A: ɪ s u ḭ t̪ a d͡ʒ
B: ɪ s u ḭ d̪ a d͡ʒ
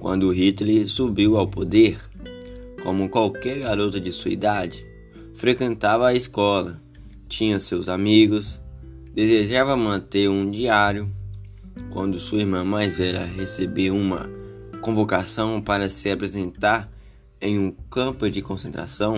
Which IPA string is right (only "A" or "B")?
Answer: B